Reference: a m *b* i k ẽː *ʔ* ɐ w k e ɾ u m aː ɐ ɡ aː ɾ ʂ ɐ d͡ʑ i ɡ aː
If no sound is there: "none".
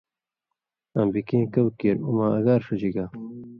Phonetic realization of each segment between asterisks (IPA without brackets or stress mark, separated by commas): b, k